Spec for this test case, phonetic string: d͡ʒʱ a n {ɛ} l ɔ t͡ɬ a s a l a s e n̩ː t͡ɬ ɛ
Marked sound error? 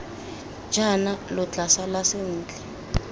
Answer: yes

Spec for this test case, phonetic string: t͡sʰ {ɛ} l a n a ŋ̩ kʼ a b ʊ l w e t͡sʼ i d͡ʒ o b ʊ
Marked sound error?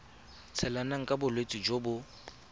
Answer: no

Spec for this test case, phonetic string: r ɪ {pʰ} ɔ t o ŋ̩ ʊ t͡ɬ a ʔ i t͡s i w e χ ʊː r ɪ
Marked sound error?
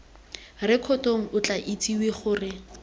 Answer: yes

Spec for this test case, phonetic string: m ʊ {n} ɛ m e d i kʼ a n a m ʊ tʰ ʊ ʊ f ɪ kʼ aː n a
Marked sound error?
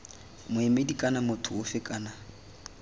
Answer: yes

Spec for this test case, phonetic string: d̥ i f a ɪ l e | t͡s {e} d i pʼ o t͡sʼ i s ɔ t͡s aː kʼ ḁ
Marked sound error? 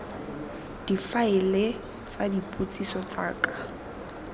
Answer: yes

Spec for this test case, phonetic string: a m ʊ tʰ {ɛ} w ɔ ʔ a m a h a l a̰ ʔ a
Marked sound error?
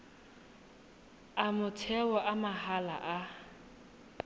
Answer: no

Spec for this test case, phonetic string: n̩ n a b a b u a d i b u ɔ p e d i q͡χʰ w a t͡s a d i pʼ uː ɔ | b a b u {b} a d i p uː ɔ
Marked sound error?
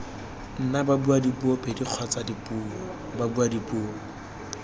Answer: yes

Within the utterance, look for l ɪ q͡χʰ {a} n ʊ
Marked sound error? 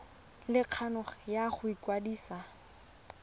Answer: no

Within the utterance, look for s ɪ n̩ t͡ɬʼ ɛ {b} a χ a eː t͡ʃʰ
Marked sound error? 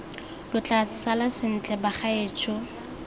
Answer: no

